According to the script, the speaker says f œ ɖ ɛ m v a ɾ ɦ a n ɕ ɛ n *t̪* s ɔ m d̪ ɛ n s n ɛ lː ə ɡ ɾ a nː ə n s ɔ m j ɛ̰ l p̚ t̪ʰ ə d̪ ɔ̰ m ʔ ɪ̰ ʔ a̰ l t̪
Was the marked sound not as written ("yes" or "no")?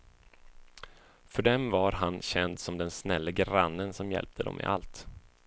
yes